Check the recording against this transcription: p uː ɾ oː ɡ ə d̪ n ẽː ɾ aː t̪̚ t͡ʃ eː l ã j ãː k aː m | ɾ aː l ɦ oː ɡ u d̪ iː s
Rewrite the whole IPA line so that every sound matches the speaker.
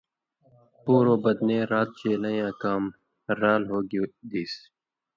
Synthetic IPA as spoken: p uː ɾ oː b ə d̪ n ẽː ɾ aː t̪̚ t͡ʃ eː l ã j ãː k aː m | ɾ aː l ɦ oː ɡ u d̪ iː s